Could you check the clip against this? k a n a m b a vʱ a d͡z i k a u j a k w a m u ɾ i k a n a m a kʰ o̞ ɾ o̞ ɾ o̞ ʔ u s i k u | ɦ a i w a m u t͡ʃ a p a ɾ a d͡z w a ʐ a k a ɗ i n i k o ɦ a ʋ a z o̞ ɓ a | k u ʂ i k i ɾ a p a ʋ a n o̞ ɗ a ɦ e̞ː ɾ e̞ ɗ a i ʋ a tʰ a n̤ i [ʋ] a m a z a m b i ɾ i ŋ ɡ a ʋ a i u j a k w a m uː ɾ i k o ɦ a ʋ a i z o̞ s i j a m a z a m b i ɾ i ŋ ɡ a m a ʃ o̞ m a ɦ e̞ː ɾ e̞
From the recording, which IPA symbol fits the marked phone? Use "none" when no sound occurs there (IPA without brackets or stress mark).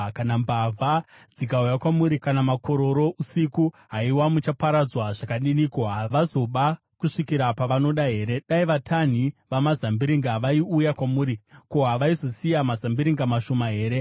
ʋ